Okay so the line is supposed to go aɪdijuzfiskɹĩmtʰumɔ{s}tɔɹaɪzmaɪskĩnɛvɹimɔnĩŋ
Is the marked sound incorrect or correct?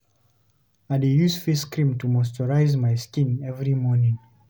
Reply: correct